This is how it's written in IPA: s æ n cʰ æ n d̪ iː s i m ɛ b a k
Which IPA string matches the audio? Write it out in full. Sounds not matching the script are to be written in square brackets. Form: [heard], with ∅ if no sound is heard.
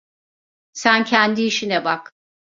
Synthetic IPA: s æ n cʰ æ n d̪ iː [ʃ] i [n] ɛ b a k